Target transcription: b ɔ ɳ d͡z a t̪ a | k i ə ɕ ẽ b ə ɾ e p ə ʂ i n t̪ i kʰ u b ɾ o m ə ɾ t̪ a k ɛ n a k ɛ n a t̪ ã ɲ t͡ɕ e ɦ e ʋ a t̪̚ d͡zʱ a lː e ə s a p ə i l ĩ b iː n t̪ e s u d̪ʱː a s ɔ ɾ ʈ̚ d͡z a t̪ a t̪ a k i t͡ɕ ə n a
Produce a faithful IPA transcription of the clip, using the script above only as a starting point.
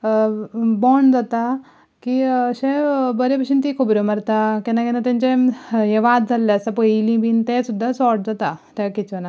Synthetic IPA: b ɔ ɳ d͡z a t̪ a | k i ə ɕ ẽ b ə ɾ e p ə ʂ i n t̪ i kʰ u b ɾ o m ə ɾ t̪ a k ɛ n a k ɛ n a t̪ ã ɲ t͡ɕ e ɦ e ʋ a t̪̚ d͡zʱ a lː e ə s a p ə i l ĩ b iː n t̪ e s u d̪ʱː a s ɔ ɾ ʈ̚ d͡z a t̪ a t̪ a k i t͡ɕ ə n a